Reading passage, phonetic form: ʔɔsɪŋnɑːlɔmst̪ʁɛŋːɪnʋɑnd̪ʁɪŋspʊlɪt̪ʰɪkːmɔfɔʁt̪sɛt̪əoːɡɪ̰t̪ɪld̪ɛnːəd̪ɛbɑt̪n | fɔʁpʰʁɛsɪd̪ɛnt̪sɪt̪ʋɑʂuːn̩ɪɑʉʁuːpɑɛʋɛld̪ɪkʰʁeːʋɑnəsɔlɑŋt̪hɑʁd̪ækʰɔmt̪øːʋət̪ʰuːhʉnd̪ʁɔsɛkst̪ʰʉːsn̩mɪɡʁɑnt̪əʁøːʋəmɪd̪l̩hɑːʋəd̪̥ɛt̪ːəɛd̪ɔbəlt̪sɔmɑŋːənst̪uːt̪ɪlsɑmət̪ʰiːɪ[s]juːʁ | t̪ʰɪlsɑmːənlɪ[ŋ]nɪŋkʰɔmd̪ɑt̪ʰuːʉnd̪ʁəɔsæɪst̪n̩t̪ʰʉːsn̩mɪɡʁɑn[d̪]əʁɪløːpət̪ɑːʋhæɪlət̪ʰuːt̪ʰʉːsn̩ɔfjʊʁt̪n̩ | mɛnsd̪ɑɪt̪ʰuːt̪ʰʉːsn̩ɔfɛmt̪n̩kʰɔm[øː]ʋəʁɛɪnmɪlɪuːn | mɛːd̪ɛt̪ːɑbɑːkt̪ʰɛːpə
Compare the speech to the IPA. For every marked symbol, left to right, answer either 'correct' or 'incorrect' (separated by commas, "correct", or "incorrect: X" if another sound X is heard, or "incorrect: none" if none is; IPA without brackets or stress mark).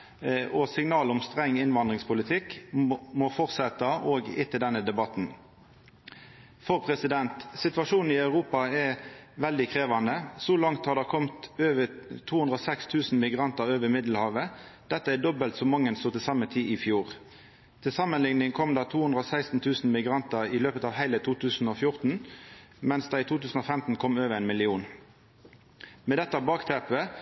incorrect: f, correct, incorrect: t̪, correct